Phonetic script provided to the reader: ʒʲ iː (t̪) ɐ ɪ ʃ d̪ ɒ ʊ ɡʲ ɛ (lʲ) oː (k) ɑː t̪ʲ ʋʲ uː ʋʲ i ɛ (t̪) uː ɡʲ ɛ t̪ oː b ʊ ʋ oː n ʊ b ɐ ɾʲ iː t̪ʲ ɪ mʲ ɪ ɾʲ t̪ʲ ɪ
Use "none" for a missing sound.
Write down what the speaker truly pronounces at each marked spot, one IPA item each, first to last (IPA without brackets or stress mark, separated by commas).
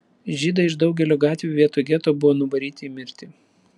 d̪, lʲ, ɡ, t̪